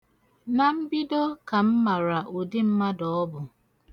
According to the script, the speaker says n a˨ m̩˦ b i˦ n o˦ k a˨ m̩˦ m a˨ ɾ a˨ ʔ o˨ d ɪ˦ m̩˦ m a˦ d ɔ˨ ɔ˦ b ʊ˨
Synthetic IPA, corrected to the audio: n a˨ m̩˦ b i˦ d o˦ k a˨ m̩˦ m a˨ ɾ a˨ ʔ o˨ d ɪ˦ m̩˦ m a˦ d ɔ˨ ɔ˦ b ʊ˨